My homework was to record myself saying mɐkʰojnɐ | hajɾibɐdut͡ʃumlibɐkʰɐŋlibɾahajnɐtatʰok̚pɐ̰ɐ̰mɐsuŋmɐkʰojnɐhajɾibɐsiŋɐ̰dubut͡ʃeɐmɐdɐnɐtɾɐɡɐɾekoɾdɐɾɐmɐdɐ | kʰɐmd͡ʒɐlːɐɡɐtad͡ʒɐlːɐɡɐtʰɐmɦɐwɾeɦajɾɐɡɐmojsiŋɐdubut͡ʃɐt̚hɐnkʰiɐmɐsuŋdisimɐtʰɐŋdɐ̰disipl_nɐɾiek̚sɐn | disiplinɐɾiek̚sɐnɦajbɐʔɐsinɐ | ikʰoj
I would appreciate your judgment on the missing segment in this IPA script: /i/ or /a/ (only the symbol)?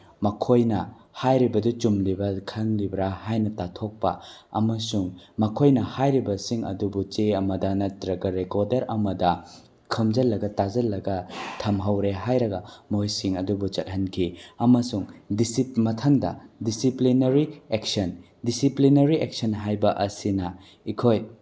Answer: i